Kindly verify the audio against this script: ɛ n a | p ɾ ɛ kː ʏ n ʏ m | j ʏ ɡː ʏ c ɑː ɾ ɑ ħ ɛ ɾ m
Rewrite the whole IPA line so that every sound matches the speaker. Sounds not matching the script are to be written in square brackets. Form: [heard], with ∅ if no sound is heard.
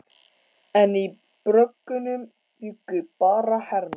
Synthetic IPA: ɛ n [i] | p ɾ [œ] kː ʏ n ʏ m | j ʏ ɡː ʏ [p] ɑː ɾ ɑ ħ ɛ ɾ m